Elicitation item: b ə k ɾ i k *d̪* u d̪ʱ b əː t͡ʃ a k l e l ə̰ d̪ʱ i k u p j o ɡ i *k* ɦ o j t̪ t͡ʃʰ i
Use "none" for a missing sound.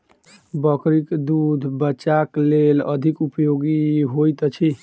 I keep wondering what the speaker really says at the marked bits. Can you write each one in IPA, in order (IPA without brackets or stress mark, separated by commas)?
d̪, none